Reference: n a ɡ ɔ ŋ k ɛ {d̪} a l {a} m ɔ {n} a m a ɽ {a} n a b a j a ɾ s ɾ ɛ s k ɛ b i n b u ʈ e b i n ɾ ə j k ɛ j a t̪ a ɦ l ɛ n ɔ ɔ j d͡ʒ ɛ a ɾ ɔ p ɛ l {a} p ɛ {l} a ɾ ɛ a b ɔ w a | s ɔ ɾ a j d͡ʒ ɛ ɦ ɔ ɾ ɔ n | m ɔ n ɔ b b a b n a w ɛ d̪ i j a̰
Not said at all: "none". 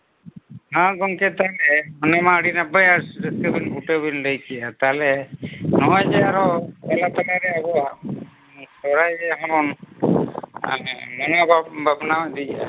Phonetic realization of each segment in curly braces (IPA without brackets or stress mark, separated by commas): t̪, ɛ, n, i, a, l